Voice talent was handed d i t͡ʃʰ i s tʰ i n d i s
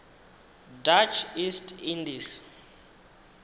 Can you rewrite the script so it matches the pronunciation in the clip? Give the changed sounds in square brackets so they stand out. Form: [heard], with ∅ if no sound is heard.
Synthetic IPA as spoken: d [a] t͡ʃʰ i s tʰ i n d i s